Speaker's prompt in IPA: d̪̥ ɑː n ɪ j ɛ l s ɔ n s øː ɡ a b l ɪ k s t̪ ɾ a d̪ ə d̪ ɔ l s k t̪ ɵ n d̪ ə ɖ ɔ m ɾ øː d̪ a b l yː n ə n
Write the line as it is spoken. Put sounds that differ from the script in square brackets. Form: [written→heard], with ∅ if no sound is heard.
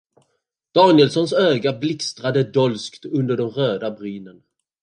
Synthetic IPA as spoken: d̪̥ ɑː n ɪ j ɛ l s ɔ n s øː ɡ a b l ɪ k s t̪ ɾ a d̪ ə d̪ ɔ l s k t̪ ɵ n d̪ ə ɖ ɔ m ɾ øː d̪ a b [l→ɾ] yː n ə n